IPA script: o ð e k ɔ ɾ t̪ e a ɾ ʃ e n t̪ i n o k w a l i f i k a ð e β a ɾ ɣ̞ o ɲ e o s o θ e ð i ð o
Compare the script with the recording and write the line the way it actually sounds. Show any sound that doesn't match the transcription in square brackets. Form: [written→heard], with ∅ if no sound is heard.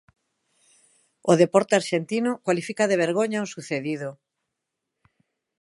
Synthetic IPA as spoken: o ð e [k→p] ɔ ɾ t̪ e a ɾ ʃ e n t̪ i n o k w a l i f i k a ð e β [a→e] ɾ ɣ̞ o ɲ [e→a] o s [o→u] θ e ð i ð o